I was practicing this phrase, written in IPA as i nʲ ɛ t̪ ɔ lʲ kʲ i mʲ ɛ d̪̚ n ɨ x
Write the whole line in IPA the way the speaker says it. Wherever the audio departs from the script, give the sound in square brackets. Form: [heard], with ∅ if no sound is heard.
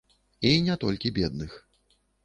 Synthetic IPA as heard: i nʲ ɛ t̪ ɔ lʲ kʲ i [bʲ] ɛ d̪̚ n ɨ x